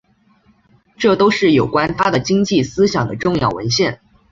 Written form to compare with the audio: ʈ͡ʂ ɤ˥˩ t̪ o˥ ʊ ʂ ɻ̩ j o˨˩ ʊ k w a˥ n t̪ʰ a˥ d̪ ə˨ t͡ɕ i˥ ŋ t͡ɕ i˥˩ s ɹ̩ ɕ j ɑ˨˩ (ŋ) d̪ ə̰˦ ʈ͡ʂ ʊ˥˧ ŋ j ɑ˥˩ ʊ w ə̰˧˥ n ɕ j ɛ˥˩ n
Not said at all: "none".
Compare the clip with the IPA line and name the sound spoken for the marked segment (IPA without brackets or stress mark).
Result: ŋ